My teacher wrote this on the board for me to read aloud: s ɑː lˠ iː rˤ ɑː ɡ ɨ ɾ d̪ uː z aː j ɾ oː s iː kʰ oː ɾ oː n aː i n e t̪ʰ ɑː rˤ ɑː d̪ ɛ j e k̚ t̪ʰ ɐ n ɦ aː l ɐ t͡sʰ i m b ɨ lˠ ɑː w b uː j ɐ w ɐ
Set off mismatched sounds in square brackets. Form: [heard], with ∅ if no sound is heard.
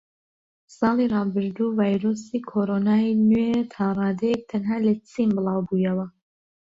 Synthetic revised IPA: s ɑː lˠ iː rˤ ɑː [b] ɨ ɾ d̪ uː [v] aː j ɾ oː s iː kʰ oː ɾ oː n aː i n e t̪ʰ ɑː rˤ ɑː d̪ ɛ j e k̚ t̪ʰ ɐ n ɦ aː l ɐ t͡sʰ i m b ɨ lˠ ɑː w b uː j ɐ w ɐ